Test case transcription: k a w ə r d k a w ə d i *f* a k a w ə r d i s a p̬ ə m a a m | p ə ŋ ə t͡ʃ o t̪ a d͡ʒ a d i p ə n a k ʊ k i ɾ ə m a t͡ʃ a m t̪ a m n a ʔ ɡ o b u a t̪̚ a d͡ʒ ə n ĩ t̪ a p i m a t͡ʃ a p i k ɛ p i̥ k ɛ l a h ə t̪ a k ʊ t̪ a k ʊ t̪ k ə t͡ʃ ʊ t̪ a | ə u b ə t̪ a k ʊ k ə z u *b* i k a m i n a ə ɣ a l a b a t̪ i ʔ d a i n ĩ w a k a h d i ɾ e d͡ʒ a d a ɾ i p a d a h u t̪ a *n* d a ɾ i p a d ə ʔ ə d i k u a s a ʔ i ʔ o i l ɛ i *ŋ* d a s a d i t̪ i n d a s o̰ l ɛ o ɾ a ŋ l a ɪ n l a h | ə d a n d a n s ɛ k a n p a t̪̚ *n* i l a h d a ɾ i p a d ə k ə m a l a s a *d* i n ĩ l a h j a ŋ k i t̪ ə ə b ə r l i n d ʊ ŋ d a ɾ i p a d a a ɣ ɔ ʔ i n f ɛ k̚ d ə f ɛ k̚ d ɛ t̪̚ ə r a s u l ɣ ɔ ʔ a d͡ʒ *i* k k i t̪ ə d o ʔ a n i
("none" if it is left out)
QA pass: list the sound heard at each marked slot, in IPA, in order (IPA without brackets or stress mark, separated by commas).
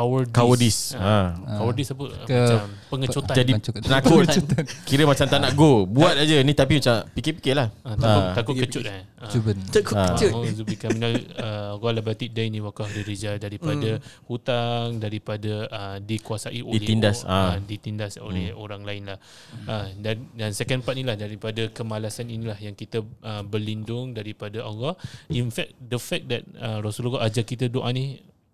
s, b, ŋ, n, n, n, a